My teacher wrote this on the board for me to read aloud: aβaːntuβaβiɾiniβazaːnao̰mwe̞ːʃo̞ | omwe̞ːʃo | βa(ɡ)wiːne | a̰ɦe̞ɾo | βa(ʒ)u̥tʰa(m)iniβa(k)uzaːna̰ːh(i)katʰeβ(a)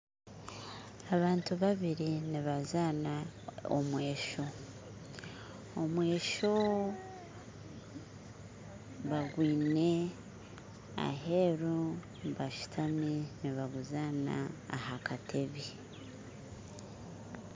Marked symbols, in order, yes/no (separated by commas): yes, no, yes, no, no, no